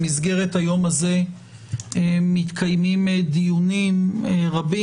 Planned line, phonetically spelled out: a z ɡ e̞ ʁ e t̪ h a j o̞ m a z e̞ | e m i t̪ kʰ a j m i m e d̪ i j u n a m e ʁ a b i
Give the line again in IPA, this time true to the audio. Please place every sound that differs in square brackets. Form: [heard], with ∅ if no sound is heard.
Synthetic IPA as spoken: [i] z ɡ e̞ ʁ e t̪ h a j o̞ m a z e̞ | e m i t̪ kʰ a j m i m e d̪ i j u n [i] m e ʁ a b i